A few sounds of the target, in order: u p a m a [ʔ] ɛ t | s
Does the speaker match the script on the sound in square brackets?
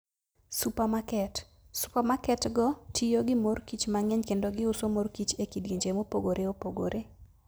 no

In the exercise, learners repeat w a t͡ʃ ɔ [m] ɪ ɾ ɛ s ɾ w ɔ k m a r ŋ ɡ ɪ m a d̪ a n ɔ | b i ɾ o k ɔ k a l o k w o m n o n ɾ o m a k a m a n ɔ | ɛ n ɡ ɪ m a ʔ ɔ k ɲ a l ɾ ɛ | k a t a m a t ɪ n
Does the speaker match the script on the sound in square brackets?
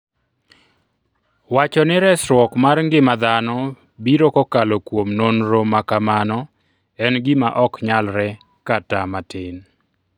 no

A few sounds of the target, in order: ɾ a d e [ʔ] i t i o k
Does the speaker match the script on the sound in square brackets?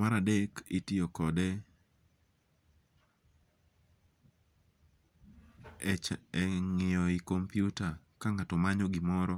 no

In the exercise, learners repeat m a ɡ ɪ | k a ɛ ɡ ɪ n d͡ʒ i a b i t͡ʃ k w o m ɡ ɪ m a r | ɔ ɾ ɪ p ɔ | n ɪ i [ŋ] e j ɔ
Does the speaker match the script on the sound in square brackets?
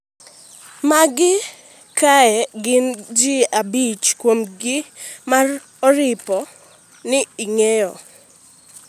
yes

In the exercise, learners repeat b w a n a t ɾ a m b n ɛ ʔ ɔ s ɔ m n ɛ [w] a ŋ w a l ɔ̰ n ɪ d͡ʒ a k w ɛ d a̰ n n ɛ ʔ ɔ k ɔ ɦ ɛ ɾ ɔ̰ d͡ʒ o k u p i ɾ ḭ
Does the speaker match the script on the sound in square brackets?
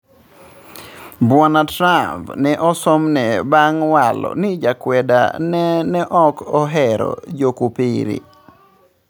no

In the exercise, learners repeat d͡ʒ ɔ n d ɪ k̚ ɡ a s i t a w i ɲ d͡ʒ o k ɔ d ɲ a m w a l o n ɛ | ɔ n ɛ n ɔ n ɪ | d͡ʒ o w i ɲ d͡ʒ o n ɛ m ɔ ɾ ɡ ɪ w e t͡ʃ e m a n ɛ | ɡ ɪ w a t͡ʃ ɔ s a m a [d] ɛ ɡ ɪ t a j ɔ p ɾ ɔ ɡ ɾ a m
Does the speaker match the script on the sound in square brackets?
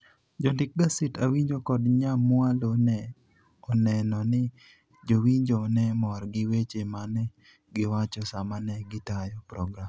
no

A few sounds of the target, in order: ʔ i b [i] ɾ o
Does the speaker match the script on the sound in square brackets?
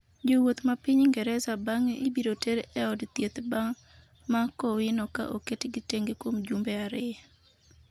yes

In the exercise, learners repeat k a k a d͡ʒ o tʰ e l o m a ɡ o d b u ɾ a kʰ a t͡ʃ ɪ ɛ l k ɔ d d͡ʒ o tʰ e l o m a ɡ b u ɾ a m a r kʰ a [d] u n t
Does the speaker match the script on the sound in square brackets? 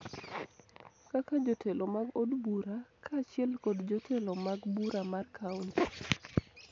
no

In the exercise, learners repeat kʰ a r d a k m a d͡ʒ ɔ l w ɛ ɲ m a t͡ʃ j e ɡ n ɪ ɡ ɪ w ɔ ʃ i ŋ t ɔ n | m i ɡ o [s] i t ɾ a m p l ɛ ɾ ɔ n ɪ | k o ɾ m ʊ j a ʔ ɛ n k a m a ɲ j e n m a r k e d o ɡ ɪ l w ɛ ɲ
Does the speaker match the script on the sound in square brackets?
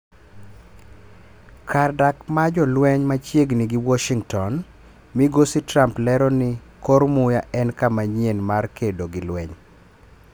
yes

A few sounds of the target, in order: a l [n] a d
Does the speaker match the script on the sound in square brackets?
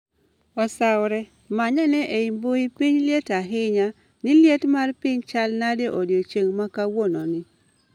yes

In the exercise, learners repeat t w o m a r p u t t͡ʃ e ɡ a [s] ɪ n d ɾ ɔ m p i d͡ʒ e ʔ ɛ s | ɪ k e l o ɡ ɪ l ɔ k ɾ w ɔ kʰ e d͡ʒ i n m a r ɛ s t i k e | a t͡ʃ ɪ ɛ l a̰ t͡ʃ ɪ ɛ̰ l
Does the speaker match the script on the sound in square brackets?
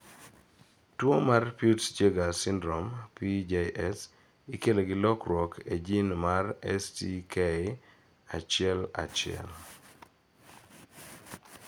yes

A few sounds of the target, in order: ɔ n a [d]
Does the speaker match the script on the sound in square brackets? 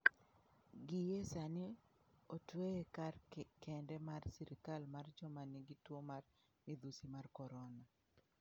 no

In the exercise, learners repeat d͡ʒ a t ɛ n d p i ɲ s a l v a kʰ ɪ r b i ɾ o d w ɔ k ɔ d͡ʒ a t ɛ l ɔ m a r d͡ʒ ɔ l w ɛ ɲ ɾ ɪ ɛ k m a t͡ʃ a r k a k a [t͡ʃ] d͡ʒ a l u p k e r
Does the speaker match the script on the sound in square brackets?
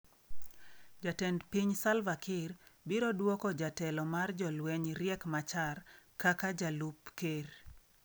no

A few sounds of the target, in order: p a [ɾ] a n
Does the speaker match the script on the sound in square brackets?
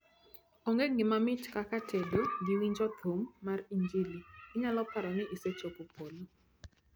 yes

